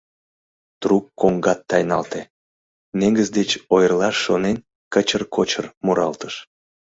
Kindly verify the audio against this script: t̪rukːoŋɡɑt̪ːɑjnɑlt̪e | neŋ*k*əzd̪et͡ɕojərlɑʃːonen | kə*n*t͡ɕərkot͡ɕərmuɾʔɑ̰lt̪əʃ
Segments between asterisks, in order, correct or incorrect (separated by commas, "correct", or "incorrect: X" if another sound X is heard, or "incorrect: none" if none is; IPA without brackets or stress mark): incorrect: ɡ, incorrect: none